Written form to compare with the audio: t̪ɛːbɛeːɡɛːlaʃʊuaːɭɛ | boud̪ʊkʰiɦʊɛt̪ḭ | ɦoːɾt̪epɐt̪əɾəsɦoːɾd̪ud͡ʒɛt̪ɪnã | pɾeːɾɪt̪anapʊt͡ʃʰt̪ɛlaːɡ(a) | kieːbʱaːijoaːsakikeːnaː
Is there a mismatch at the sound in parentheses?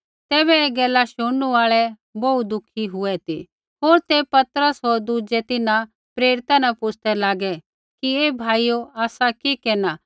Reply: yes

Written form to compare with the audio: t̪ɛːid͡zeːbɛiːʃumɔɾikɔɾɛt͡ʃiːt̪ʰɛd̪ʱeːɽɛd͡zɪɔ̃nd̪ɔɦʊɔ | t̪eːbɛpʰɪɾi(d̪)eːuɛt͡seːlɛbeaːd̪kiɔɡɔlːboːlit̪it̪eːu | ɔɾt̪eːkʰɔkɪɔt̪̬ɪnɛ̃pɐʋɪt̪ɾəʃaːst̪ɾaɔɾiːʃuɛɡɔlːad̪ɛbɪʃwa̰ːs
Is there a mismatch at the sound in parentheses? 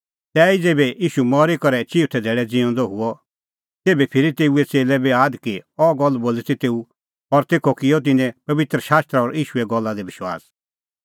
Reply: yes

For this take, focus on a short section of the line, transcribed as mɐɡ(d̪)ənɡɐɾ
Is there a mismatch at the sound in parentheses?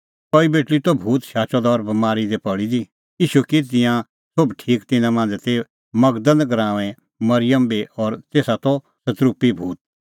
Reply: no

